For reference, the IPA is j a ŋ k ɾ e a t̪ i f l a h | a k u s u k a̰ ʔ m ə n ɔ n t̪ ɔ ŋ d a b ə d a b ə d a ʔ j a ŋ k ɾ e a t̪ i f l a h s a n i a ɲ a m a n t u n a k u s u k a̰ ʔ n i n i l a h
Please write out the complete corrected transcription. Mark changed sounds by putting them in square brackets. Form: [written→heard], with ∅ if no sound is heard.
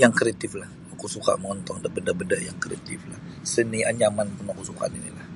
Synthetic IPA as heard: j a ŋ k ɾ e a t̪ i f l a h | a k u s u k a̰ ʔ m ə [n→ŋ] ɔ n t̪ ɔ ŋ d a b ə d a b ə d a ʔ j a ŋ k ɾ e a t̪ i f l a h s [a→ə] n i a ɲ a m a n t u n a k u s u k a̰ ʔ n i n i l a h